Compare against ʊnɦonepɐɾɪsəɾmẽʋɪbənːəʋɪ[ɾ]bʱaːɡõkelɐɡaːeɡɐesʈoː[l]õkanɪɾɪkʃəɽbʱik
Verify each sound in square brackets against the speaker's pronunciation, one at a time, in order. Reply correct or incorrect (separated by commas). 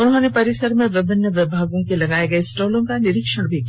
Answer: incorrect, correct